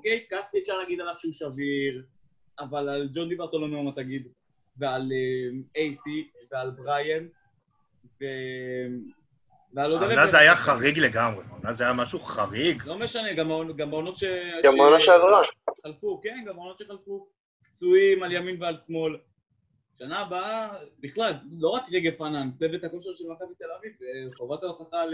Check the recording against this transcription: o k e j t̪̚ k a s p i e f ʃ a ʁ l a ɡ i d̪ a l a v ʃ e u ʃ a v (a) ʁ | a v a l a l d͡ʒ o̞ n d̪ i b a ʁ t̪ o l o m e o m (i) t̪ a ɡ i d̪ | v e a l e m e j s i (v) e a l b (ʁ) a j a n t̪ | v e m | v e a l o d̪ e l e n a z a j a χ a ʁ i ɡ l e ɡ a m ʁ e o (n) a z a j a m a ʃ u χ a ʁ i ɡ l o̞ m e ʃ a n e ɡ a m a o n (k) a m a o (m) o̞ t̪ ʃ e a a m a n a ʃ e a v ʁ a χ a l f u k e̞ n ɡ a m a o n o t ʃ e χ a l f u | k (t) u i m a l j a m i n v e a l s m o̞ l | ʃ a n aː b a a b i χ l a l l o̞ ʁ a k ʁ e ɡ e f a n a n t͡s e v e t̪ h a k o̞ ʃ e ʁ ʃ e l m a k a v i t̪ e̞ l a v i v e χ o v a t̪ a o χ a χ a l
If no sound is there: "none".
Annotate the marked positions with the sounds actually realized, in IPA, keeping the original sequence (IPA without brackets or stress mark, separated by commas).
i, a, v, ʁ, n, ɡ, n, t͡s